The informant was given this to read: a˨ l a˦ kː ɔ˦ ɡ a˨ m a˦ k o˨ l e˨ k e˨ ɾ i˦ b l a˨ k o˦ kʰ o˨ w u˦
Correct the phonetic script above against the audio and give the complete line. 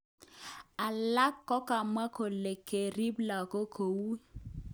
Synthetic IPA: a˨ l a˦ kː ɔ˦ k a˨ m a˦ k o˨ l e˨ k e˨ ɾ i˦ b l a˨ k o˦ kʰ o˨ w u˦